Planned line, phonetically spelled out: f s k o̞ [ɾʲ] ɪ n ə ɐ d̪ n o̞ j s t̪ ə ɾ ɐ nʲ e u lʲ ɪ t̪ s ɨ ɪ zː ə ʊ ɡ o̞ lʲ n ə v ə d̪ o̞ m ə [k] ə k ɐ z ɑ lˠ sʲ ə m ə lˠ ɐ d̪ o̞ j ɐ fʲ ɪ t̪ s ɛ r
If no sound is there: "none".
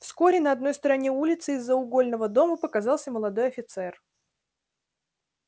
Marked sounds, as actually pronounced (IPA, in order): ɾʲ, p

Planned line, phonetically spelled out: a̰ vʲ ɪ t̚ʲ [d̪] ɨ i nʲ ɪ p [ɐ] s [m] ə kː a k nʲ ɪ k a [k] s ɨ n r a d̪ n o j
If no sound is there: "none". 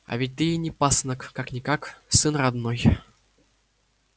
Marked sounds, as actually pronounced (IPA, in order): t̪, a, n, k

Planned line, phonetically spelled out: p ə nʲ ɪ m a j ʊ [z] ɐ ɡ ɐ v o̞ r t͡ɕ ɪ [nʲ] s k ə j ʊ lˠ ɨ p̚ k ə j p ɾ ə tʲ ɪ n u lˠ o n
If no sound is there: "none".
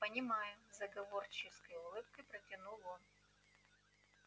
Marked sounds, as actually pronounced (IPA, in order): z, none

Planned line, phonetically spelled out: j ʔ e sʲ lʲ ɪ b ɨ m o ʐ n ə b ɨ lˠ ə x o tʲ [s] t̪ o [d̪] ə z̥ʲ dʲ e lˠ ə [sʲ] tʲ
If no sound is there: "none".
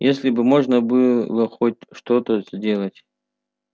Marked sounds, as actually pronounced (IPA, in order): ʂ, t̪, none

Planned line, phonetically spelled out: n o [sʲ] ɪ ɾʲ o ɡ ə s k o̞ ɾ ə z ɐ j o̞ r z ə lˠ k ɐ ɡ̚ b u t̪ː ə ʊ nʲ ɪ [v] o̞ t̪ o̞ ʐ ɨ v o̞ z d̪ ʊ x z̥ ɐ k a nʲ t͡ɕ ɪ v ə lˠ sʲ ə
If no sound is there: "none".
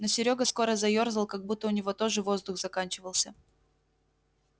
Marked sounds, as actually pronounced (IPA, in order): sʲ, v

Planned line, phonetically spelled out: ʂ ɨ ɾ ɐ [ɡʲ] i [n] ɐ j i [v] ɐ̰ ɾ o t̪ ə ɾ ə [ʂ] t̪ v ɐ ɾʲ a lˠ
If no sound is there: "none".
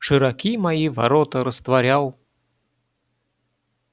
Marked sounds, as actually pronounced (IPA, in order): kʲ, m, v, s

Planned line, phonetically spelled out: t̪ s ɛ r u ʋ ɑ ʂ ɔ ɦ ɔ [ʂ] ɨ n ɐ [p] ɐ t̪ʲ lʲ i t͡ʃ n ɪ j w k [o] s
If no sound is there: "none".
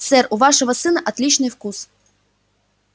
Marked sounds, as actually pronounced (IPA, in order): s, ʔ, u

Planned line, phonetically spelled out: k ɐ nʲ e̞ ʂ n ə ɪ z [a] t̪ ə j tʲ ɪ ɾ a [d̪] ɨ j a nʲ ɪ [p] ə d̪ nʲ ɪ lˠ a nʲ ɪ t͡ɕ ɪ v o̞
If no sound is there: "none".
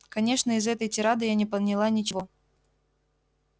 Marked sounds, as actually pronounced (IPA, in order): ɛ, d̪, p

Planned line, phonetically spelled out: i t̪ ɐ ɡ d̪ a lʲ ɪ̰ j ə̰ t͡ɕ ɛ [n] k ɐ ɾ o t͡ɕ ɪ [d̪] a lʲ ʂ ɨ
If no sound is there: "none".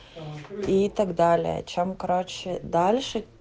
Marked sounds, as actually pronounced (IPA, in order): m, d̪

